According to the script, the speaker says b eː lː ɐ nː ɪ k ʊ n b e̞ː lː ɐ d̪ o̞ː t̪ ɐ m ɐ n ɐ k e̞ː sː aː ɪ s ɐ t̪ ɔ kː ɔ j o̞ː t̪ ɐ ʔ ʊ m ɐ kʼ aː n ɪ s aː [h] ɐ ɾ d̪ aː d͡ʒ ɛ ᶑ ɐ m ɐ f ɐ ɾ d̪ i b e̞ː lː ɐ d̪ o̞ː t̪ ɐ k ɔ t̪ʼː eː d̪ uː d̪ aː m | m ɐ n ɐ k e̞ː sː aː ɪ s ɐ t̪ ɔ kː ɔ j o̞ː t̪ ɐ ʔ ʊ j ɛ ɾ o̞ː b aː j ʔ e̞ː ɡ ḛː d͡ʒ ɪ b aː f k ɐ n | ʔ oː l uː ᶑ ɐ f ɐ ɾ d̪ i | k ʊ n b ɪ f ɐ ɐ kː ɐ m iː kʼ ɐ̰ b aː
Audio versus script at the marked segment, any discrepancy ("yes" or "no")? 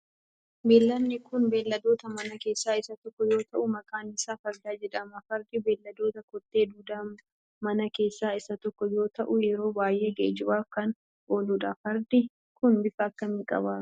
yes